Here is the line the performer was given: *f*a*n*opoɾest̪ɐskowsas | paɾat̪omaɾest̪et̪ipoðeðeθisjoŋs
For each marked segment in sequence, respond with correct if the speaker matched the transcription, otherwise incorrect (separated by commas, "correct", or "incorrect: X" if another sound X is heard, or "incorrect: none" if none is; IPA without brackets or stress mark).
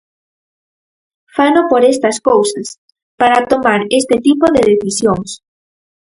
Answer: correct, correct